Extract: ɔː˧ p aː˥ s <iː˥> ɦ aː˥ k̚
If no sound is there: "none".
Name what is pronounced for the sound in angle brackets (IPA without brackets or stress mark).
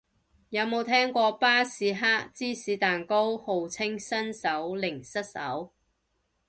iː˨˥